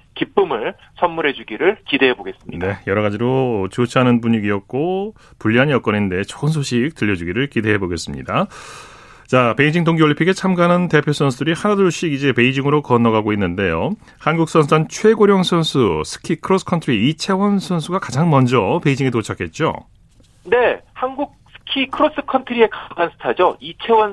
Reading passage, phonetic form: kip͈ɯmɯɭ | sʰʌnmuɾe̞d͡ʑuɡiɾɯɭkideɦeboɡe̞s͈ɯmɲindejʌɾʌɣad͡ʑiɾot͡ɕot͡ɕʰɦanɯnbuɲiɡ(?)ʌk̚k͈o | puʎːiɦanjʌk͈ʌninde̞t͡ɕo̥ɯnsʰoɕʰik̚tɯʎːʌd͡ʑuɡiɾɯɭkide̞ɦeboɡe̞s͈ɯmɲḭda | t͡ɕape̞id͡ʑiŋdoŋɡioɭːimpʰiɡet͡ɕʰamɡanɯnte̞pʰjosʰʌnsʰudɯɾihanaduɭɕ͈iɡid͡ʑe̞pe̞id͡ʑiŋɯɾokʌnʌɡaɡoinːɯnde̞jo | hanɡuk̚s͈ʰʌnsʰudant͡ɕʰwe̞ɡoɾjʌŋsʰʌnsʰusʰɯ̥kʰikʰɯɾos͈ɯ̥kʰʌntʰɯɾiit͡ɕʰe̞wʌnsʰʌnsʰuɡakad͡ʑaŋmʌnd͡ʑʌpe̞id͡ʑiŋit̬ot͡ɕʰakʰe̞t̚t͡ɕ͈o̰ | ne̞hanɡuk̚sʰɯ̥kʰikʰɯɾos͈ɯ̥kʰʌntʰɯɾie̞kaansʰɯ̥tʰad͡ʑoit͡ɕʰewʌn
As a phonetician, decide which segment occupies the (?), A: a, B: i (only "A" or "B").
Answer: B